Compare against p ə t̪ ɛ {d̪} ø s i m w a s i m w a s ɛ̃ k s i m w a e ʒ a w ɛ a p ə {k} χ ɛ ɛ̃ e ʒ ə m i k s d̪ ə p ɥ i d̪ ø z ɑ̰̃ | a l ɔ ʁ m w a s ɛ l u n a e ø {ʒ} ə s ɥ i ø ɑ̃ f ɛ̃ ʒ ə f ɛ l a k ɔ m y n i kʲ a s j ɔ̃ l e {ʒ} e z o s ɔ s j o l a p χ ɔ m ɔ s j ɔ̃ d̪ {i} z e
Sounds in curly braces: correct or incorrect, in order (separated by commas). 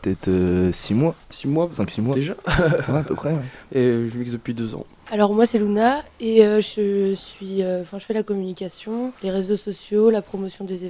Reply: incorrect, incorrect, correct, incorrect, incorrect